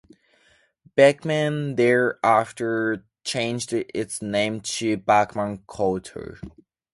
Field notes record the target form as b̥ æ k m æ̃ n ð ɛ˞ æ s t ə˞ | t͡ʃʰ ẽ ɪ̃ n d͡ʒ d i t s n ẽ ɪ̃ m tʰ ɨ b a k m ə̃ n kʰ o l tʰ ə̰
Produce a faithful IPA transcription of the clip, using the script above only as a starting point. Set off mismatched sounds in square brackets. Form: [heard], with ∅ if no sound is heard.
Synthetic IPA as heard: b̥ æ k m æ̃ n ð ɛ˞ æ [f] t ə˞ | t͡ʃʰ ẽ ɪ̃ n d͡ʒ d [ɪ] t s n ẽ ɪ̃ m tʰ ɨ b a k m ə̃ n kʰ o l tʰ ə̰